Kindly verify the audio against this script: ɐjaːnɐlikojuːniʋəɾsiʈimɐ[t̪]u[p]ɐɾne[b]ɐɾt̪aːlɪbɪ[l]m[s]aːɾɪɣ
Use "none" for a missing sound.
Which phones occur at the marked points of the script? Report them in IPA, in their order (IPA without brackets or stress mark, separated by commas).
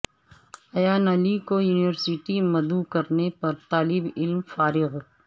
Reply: d̪, k, p, l, f